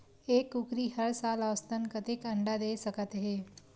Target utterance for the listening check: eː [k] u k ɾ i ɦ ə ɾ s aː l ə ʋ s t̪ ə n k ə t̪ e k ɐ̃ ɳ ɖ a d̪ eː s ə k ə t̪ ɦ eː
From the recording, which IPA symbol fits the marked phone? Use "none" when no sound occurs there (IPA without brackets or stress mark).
k